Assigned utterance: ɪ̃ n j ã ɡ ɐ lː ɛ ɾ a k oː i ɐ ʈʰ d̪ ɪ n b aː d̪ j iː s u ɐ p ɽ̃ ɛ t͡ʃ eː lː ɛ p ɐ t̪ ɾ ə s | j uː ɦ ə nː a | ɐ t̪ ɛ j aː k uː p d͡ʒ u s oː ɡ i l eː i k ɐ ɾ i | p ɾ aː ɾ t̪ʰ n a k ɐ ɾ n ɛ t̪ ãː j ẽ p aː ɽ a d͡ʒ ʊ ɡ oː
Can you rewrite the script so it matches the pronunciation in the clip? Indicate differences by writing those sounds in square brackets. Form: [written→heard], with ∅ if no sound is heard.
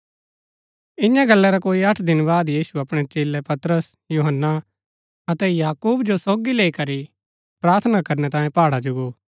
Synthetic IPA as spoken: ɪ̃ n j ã ɡ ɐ lː ɛ ɾ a k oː i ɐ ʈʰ d̪ ɪ n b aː d̪ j iː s u ɐ p ɽ̃ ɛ t͡ʃ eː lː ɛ p ɐ t̪ ɾ ə s | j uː ɦ ə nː a | ɐ t̪ ɛ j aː k uː [p→b] d͡ʒ [u→o] s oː ɡ i l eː i k ɐ ɾ i | p ɾ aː ɾ t̪ʰ n a k ɐ ɾ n ɛ t̪ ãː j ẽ p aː ɽ a d͡ʒ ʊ ɡ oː